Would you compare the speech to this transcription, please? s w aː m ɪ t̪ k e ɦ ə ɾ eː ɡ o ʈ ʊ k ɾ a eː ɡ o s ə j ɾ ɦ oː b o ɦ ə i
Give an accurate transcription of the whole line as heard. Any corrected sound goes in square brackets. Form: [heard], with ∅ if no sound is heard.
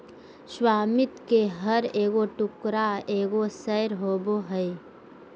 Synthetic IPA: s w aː m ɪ t̪ k e ɦ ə ɾ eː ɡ o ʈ ʊ k ɾ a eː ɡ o s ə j ɾ ɦ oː b o ɦ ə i